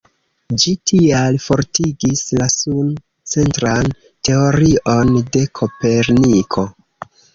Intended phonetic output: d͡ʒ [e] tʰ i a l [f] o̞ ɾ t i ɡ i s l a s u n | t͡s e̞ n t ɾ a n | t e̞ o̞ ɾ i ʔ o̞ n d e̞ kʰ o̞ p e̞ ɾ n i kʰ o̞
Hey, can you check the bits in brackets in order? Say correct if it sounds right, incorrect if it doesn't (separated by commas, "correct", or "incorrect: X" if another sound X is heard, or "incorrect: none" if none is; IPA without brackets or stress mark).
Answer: incorrect: i, correct